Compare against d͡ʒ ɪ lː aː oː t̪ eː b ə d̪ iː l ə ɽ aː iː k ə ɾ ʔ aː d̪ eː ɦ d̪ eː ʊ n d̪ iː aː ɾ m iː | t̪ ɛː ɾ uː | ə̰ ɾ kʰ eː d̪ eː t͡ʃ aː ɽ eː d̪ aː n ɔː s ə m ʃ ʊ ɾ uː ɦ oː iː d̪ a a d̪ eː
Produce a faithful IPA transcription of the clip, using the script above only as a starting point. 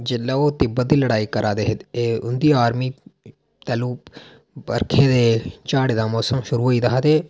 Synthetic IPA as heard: d͡ʒ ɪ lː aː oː t̪ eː b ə d̪ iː l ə ɽ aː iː k ə ɾ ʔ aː d̪ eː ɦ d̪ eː ʊ n d̪ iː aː ɾ m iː | t̪ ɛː l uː | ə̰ ɾ kʰ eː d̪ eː t͡ʃ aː ɽ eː d̪ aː m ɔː s ə m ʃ ʊ ɾ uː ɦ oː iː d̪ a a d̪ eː